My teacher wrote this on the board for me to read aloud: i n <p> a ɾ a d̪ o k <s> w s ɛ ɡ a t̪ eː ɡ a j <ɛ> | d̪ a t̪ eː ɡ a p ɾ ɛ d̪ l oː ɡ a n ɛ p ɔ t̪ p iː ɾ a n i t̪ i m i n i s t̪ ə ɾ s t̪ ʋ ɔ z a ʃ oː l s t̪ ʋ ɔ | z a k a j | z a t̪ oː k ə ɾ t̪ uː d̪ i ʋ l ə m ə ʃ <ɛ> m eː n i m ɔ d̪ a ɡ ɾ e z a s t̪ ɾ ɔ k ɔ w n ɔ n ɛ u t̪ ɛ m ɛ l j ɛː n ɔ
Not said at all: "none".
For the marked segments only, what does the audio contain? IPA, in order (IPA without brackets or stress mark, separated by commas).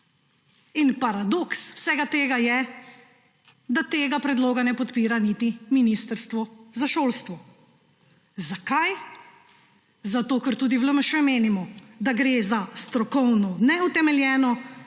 p, s, ɛ, ɛ